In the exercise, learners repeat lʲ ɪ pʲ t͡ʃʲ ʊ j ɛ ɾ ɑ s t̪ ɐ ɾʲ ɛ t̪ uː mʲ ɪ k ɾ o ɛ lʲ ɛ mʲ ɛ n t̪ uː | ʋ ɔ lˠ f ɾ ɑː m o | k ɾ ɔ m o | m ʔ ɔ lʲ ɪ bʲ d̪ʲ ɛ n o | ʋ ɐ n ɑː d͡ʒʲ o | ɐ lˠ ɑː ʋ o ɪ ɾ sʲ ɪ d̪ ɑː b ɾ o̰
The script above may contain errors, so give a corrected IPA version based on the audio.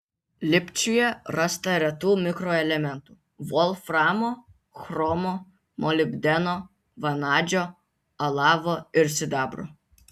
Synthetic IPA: lʲ ɪ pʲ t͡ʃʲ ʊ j ɛ ɾ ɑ s t̪ ɐ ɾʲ ɛ t̪ uː mʲ ɪ k ɾ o ɛ lʲ ɛ mʲ ɛ n t̪ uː | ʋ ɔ lˠ f ɾ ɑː m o | x ɾ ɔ m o | m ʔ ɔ lʲ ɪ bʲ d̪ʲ ɛ n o | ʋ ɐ n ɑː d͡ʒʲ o | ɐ lˠ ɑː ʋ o ɪ ɾ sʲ ɪ d̪ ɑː b ɾ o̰